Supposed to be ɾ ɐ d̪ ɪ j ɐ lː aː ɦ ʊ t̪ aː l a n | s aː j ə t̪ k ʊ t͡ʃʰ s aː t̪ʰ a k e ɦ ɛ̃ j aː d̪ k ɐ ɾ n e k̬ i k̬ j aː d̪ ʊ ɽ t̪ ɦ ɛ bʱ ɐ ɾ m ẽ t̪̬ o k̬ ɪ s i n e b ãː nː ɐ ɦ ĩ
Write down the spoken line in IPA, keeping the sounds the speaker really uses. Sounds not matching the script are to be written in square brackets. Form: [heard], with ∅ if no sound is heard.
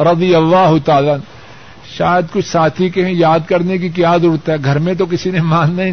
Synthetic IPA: ɾ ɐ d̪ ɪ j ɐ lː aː ɦ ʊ t̪ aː l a n | [ʃ] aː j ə [d̪] k ʊ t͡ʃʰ s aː t̪ʰ [i] k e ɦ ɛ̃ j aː d̪ k ɐ ɾ n e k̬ i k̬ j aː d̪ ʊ ɽ t̪ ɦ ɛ [ɡʱ] ɐ ɾ m ẽ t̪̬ o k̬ ɪ s i n e [m] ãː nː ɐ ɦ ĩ